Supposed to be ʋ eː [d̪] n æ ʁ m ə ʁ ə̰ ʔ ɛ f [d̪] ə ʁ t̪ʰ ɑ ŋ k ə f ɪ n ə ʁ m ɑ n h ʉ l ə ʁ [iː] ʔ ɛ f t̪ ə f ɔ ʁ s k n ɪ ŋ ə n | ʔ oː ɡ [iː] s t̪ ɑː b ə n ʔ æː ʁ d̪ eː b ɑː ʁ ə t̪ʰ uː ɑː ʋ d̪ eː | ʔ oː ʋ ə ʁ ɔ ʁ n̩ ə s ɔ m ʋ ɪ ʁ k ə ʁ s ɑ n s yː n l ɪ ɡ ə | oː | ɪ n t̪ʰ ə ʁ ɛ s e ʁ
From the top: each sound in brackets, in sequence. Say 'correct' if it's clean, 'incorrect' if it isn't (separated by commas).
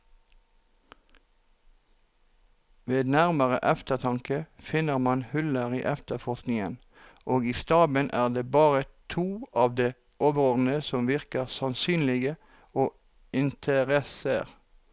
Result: correct, incorrect, correct, correct